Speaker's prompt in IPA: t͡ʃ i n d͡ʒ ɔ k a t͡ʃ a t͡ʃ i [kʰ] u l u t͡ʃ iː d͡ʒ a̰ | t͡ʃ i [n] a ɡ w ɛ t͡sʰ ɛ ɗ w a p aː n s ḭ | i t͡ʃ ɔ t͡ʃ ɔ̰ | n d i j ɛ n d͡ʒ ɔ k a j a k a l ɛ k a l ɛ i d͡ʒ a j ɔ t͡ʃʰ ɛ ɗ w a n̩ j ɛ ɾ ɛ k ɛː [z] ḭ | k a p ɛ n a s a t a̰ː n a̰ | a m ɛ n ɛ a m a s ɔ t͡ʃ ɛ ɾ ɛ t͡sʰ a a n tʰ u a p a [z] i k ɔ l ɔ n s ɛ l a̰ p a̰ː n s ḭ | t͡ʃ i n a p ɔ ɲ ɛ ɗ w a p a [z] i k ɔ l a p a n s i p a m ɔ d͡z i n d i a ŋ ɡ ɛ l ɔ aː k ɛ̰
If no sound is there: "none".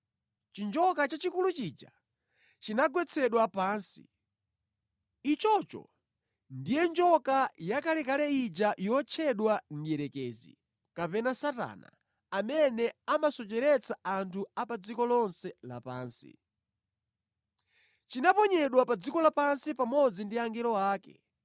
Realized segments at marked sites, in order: k, n, z, d͡z, d͡z

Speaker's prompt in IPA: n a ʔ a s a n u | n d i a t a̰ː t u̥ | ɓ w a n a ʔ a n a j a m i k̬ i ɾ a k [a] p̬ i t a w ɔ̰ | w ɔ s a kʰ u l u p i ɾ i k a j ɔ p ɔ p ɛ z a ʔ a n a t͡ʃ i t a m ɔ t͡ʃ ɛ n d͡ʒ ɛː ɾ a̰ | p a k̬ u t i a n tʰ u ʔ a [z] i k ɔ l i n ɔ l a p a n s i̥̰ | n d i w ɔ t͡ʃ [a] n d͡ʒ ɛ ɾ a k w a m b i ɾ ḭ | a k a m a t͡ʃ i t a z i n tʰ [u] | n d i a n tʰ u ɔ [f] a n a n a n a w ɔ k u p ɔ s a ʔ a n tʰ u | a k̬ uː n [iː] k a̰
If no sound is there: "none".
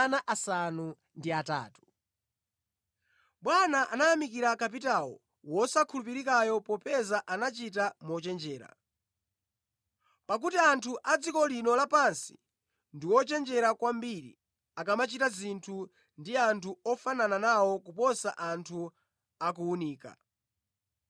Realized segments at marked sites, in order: a, d͡z, ɛ, u, f, iː

